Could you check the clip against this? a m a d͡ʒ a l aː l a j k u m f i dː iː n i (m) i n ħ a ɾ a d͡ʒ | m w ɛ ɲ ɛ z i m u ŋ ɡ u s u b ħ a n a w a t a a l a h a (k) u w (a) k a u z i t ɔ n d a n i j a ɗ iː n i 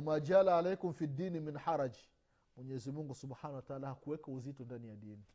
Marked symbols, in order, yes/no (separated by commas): yes, yes, no